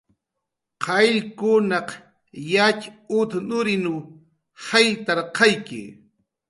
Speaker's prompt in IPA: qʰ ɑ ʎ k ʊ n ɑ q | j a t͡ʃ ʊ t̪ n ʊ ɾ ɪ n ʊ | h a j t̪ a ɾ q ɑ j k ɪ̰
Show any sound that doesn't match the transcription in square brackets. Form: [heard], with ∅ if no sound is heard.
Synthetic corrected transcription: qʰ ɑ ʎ k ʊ n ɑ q | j a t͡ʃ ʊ t̪ n ʊ ɾ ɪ n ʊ | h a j t̪ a ɾ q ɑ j k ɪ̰